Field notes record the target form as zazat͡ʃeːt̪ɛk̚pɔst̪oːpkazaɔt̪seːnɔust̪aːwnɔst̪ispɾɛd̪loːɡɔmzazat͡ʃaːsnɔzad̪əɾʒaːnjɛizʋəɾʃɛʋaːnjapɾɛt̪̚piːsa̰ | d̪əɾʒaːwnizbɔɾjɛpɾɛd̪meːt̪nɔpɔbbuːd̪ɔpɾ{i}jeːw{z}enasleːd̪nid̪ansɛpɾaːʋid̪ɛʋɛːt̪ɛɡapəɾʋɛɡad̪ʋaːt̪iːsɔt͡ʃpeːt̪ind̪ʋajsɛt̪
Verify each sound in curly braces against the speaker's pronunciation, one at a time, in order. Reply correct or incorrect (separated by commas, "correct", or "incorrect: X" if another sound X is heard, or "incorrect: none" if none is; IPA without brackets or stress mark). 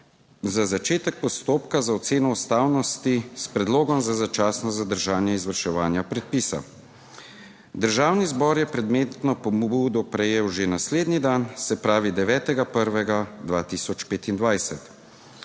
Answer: incorrect: ɛ, incorrect: ʒ